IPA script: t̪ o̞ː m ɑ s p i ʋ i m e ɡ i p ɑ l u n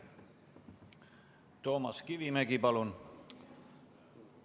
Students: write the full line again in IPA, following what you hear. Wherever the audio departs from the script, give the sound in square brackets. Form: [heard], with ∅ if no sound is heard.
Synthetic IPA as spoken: t̪ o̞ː m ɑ s [k] i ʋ i m [æ] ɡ i p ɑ l u n